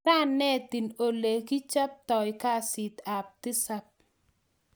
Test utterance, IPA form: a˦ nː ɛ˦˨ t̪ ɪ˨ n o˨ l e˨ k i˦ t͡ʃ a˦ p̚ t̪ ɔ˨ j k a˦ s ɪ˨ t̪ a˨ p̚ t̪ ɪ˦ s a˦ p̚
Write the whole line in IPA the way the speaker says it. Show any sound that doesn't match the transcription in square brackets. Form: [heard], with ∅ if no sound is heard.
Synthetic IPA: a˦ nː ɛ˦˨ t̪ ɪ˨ n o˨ l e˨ k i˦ t͡ʃ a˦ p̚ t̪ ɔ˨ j k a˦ s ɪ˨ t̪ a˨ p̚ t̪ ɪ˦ s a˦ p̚